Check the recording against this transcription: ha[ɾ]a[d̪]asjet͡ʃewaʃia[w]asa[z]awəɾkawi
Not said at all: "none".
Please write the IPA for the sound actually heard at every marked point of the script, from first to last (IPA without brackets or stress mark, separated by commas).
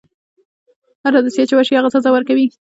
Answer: ɾ, d̪, ɣ, z